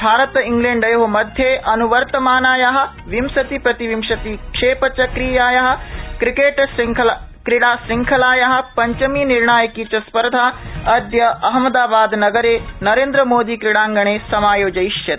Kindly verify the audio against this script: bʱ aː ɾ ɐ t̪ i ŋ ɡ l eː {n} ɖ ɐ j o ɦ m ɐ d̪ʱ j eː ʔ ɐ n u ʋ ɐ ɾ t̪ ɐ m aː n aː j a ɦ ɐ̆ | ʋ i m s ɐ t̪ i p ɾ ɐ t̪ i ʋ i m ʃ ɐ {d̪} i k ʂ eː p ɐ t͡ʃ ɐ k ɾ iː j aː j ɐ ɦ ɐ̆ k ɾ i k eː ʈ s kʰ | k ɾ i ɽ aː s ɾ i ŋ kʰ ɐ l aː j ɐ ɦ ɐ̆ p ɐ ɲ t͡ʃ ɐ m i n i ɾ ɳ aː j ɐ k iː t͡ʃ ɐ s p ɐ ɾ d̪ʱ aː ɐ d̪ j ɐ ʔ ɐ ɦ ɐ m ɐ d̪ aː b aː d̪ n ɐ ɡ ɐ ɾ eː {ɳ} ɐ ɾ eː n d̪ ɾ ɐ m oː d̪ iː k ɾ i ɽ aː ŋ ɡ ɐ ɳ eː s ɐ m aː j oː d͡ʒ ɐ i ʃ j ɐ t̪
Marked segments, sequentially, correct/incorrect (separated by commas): incorrect, incorrect, incorrect